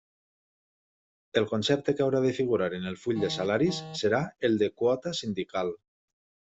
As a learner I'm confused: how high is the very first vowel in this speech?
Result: mid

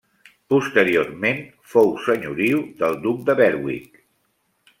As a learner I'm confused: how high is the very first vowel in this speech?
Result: high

